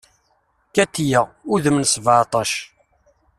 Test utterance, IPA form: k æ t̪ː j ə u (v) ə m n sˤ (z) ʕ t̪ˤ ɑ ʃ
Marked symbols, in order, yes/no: no, no

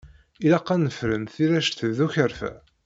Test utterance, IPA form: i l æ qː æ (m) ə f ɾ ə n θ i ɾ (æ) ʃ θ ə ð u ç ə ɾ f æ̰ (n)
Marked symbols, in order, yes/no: no, yes, no

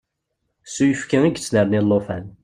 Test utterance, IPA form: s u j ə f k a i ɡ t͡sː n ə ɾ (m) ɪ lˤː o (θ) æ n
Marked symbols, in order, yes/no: no, no

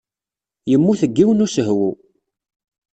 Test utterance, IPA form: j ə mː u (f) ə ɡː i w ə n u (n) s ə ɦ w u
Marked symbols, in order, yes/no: no, no

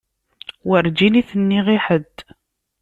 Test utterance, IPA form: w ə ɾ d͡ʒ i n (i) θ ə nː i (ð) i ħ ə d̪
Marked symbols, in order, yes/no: yes, no

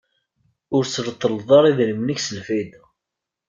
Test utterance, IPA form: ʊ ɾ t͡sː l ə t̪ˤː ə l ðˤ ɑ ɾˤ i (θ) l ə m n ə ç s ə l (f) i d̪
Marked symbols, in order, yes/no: no, yes

